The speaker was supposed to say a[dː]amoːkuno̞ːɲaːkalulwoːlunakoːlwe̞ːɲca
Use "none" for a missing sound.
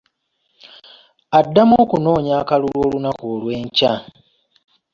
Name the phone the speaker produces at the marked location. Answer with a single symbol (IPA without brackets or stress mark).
dː